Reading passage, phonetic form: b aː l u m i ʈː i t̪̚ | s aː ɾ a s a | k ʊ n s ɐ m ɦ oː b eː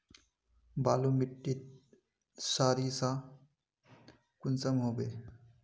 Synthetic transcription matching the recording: b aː l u m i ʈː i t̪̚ | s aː ɾ i s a | k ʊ n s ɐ m ɦ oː b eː

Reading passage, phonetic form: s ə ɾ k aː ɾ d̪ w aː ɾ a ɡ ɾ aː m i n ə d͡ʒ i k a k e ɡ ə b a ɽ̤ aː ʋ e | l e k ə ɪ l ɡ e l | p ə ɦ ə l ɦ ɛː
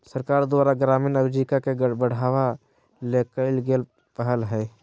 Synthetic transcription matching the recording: s ə ɾ k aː ɾ d̪ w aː ɾ a ɡ ɾ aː m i n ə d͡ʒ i k a k e ɡ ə b ə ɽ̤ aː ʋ a | l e k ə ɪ l ɡ e l | p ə ɦ ə l ɦ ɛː

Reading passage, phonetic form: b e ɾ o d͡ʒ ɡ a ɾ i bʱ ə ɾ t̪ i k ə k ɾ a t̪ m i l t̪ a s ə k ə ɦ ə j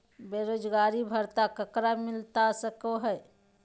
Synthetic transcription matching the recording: b e ɾ o d͡ʒ ɡ a ɾ i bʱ ə ɾ t̪ a k ə k ɾ a m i l t̪ a s ə k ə ɦ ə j

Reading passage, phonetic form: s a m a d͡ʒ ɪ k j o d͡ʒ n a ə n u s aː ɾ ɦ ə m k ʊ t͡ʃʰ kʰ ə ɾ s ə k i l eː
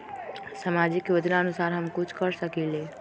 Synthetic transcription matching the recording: s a m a d͡ʒ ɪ k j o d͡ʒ n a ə n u s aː ɾ ɦ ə m k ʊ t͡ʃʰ k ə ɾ s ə k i l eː

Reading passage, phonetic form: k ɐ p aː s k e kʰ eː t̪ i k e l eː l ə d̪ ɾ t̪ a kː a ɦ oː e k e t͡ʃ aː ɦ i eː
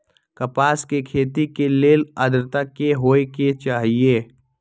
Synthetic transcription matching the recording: k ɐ p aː s k e kʰ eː t̪ i k e l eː l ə d̪ ɾ t̪ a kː e ɦ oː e k e t͡ʃ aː ɦ i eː

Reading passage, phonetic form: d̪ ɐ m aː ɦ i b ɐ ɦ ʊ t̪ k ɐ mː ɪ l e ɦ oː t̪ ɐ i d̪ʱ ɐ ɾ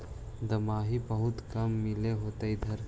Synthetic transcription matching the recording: d̪ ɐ m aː ɦ i b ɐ ɦ ʊ t̪ k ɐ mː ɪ l e ɦ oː t̪ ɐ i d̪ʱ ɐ ɾ

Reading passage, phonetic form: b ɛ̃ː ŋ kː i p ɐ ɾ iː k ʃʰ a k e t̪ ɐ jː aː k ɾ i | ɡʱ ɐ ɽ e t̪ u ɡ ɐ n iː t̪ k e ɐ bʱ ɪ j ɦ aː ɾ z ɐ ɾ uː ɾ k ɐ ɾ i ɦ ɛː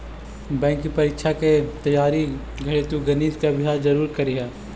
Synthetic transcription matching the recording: b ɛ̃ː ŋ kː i p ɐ ɾ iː k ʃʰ a k e t̪ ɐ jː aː ɾ i | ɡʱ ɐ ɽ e t̪ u ɡ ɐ n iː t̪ k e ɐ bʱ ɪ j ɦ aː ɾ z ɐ ɾ uː ɾ k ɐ ɾ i ɦ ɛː

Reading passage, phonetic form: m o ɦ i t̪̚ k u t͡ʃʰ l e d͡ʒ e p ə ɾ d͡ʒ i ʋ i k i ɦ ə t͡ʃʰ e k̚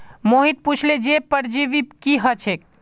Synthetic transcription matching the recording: m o ɦ i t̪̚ p u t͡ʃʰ l e d͡ʒ e p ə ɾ d͡ʒ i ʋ i k i ɦ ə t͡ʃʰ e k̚

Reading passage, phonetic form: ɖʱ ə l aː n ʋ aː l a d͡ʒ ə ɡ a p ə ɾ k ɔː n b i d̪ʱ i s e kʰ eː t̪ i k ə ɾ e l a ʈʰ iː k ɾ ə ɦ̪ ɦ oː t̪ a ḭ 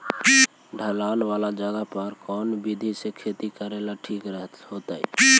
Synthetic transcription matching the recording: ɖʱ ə l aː n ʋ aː l a d͡ʒ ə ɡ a p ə ɾ k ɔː n b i d̪ʱ i s e kʰ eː t̪ i k ə ɾ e l a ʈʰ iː k ɾ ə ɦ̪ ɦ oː t̪ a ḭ

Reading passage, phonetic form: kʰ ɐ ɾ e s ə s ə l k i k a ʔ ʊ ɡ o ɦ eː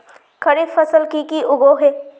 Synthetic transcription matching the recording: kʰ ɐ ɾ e f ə s ə l k i k i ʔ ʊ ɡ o ɦ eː

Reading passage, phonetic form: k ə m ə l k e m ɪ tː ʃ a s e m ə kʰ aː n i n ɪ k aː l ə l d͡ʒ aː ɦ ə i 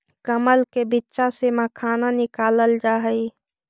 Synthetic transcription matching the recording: k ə m ə l k e b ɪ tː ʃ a s e m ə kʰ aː n a n ɪ k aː l ə l d͡ʒ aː ɦ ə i

